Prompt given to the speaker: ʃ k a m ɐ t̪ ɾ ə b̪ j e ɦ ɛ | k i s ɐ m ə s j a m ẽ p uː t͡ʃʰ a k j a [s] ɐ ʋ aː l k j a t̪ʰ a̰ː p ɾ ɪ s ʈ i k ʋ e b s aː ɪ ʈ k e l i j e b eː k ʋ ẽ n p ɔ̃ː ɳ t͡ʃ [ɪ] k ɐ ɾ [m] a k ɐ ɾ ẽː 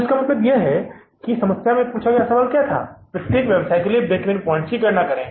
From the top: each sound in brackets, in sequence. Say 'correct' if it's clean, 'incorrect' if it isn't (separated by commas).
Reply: correct, incorrect, incorrect